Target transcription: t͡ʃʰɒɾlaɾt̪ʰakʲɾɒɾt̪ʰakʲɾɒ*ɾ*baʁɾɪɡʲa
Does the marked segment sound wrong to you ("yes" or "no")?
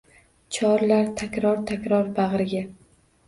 no